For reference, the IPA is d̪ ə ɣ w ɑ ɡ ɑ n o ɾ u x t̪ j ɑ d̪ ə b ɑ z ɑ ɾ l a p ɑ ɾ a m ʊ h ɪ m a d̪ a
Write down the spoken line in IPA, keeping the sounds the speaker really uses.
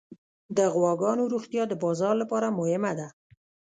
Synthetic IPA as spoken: d̪ ə ɣ w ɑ ɡ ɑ n o ɾ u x t̪ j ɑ d̪ ə b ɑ z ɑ ɾ l a p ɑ ɾ a m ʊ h ɪ m a d̪ a